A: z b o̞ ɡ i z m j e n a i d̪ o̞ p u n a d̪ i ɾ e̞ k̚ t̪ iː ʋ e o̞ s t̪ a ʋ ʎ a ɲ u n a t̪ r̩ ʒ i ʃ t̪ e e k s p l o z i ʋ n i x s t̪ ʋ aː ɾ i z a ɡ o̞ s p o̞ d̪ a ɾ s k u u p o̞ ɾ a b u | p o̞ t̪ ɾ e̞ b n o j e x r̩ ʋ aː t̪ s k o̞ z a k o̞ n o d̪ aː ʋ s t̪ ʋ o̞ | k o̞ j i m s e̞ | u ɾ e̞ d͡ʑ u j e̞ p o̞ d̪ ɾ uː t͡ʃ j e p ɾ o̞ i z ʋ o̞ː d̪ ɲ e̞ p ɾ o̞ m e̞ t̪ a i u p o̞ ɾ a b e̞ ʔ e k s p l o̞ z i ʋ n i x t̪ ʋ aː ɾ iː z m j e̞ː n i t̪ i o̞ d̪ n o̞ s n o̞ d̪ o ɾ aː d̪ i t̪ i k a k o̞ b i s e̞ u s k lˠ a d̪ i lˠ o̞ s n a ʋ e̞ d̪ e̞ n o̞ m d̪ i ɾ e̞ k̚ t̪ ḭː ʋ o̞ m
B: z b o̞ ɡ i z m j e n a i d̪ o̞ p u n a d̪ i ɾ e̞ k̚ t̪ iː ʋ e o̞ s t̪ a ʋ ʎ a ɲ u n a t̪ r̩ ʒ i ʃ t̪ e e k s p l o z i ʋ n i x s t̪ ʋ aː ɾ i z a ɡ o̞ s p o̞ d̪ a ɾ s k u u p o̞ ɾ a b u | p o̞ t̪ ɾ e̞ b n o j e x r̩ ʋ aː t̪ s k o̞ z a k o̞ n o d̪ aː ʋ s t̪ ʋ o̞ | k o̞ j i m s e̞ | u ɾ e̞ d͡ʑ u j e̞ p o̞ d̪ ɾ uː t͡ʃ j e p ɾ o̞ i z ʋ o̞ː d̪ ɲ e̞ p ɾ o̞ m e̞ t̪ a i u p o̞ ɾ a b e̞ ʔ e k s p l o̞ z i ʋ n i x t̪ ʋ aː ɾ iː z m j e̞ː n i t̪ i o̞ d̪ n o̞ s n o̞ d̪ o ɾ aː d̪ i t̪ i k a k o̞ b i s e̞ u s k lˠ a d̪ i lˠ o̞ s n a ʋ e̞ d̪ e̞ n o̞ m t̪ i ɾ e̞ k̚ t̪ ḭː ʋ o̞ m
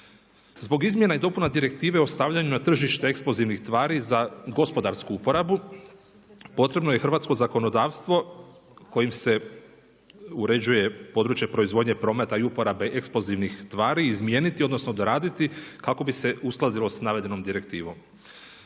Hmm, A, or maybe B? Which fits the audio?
A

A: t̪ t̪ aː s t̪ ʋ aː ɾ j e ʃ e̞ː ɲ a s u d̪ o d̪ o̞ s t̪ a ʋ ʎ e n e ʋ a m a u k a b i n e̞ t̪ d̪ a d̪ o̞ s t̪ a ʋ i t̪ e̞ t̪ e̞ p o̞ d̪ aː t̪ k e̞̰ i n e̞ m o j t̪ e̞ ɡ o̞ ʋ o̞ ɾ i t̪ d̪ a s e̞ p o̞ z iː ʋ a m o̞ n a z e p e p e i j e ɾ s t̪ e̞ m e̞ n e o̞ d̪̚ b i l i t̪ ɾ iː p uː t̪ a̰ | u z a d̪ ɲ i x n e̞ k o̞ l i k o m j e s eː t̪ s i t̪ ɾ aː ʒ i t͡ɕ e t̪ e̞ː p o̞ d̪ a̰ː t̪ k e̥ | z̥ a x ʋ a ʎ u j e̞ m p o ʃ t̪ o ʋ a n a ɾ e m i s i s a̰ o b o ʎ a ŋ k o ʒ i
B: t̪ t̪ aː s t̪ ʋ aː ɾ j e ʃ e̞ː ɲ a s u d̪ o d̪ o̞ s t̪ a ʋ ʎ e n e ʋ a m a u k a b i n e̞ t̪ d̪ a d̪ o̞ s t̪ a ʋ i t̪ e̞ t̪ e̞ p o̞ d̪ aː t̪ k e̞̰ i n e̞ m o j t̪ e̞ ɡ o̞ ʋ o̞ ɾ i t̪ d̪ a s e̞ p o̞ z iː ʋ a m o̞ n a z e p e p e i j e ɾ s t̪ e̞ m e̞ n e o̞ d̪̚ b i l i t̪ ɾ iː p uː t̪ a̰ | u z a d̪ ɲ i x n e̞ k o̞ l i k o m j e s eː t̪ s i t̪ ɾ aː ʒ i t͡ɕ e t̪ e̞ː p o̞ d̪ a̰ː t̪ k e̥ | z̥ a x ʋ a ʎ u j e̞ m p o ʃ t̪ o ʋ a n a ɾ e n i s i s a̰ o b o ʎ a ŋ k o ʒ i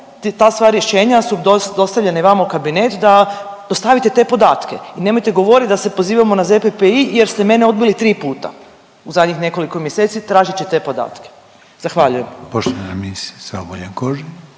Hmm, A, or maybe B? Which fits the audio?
A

